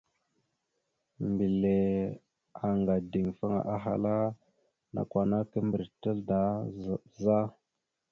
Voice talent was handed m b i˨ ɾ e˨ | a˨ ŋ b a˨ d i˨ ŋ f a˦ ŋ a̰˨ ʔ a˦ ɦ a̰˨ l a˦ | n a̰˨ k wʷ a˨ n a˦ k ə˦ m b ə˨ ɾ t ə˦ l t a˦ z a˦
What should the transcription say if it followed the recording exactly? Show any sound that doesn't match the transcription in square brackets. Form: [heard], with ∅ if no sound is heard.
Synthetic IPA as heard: m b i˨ [l] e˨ | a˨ ŋ [ɡ] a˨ d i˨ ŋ f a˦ ŋ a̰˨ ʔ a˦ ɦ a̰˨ l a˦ | n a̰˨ k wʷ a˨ n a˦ k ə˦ m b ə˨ ɾ t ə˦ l [d] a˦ z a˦